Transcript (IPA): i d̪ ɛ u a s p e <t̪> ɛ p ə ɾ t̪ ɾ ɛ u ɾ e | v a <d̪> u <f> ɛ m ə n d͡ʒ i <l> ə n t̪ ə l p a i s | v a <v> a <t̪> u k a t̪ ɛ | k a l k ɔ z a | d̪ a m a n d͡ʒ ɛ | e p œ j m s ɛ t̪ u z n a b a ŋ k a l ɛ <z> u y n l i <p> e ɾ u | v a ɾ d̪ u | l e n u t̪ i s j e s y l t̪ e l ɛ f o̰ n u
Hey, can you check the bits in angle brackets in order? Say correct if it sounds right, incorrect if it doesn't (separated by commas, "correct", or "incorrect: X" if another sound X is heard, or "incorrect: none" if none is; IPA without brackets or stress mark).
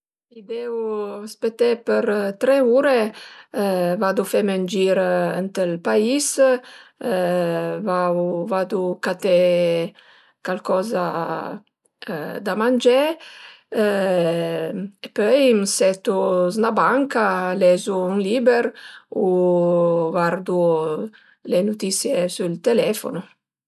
correct, correct, correct, incorrect: ɾ, correct, incorrect: d̪, correct, incorrect: b